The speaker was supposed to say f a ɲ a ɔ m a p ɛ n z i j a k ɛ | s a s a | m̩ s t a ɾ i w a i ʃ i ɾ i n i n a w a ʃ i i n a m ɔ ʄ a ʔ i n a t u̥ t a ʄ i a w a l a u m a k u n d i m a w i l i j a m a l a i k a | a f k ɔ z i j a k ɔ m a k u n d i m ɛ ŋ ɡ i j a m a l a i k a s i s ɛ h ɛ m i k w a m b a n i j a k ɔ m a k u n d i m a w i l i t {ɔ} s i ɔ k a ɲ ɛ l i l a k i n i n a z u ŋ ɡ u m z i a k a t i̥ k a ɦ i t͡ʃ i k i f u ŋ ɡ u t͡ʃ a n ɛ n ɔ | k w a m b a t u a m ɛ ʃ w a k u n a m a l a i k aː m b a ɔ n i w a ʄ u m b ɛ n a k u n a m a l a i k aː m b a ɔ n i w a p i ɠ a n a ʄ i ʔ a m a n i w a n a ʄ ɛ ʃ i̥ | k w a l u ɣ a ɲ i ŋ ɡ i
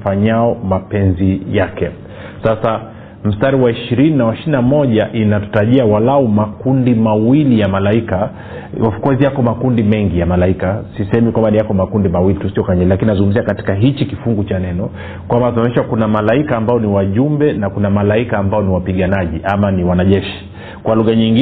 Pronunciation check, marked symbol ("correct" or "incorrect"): incorrect